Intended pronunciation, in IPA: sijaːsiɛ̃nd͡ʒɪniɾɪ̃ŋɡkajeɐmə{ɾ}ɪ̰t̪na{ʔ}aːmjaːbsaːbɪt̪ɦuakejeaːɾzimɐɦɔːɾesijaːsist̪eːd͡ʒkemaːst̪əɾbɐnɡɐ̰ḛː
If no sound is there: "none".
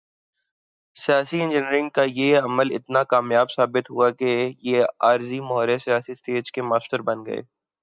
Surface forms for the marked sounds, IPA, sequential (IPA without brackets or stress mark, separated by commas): l, k